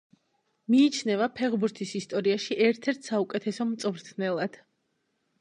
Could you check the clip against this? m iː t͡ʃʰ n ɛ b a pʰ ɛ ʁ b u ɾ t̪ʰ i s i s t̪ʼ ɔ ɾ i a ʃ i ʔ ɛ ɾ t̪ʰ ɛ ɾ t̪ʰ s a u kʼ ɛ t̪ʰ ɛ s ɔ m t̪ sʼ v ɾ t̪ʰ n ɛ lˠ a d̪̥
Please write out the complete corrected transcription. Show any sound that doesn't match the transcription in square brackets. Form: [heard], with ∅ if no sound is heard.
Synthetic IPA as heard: m iː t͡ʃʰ n ɛ [v] a pʰ ɛ ʁ b u ɾ t̪ʰ i s i s t̪ʼ ɔ ɾ i a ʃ i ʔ ɛ ɾ t̪ʰ ɛ ɾ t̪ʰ s a u kʼ ɛ t̪ʰ ɛ s ɔ m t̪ sʼ v ɾ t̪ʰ n ɛ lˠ a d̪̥

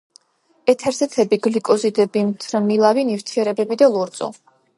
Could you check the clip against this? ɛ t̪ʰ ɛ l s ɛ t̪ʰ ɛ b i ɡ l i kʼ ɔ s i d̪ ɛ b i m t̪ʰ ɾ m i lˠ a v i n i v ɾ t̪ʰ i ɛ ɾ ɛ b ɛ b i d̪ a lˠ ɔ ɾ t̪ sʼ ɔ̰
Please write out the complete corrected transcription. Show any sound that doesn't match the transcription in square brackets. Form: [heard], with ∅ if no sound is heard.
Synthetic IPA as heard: ɛ t̪ʰ ɛ [ɾ] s ɛ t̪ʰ ɛ b i ɡ l i kʼ ɔ [z] i d̪ ɛ b i m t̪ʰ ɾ m i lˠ a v i n i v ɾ t̪ʰ i ɛ ɾ ɛ b ɛ b i d̪ a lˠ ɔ ɾ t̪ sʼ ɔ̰

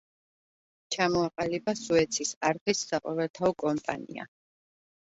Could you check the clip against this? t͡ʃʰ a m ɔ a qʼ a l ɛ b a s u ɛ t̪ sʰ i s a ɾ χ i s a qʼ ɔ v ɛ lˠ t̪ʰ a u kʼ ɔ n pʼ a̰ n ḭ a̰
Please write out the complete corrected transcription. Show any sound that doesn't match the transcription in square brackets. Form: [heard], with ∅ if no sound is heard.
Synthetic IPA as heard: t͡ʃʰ a m ɔ a qʼ a l [i] b a s u ɛ t̪ sʰ i s a ɾ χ i [sː] a qʼ ɔ v ɛ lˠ t̪ʰ a [ɔ] kʼ ɔ [m] pʼ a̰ n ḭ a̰

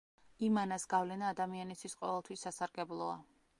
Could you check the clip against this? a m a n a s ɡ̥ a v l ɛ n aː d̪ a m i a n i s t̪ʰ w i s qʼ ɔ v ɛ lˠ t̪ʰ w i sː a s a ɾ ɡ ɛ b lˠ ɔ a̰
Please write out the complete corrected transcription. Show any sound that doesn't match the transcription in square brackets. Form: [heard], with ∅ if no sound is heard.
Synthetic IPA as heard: [i] m a n a s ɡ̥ a v l ɛ n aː d̪ a m i a n i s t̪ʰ w i s qʼ ɔ v ɛ lˠ t̪ʰ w i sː a s a ɾ ɡ ɛ b lˠ ɔ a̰

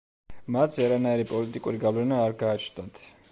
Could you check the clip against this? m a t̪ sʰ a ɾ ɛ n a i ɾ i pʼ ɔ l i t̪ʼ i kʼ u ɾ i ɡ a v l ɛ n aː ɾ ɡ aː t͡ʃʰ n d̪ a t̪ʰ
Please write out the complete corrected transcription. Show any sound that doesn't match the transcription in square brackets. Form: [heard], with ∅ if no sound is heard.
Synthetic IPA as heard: m a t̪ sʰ a ɾ [a] n a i ɾ i pʼ ɔ l i t̪ʼ i kʼ u ɾ i ɡ a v l ɛ n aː ɾ ɡ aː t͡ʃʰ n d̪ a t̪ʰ

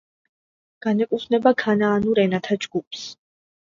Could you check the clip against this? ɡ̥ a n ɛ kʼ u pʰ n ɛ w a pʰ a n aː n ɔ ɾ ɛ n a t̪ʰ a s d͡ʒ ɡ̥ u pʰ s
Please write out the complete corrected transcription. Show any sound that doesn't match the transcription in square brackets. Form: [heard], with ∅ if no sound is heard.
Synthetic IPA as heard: ɡ̥ a n ɛ kʼ u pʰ n ɛ [b] a [kʰ] a n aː n [u] ɾ ɛ n a t̪ʰ a [∅] d͡ʒ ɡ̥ u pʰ s

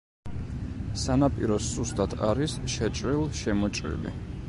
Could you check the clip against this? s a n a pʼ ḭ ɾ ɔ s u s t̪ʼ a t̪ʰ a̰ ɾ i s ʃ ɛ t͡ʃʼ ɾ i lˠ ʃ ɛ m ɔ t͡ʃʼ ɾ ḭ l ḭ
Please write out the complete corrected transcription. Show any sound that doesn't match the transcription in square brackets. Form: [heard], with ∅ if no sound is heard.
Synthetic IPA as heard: s a n a pʼ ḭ ɾ ɔ s u s t̪ʼ a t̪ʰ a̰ ɾ i s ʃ ɛ t͡ʃʼ ɾ i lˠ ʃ ɛ m ɔ t͡ʃʼ ɾ ḭ l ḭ

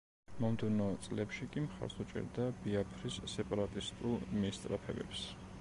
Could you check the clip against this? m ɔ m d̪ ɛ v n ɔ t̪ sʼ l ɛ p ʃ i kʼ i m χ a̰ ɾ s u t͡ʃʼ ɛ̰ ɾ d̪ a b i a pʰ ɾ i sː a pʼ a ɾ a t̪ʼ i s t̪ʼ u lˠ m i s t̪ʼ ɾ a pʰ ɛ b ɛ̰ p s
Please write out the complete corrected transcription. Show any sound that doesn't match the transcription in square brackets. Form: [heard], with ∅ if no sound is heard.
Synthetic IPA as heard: m ɔ m d̪ ɛ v n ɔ t̪ sʼ l ɛ p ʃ i kʼ i m χ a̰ ɾ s u t͡ʃʼ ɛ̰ ɾ d̪ a b i a pʰ ɾ i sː [ɛ] pʼ a ɾ a t̪ʼ i s t̪ʼ u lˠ m i s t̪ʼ ɾ a pʰ ɛ b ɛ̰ p s

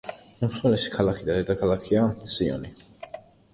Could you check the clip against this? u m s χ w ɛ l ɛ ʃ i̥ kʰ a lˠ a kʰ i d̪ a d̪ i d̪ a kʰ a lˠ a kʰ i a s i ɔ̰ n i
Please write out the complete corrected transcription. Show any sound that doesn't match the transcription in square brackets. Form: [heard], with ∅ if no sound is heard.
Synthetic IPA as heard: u m s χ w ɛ l ɛ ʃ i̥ kʰ a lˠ a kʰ i d̪ a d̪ [ɛ] d̪ a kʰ a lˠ a kʰ i a s i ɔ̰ n i

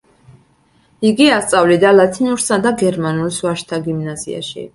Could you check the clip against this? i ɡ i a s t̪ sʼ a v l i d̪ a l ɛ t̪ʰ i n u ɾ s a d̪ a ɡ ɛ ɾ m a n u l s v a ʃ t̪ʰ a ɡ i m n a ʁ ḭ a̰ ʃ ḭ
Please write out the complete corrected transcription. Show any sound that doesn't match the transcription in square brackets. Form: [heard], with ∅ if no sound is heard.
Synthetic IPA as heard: i ɡ i a s t̪ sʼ a v l i d̪ a l [a] t̪ʰ i n u ɾ s a d̪ a ɡ ɛ ɾ m a n u l s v a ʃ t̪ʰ a ɡ i m n a [z] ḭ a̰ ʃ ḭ

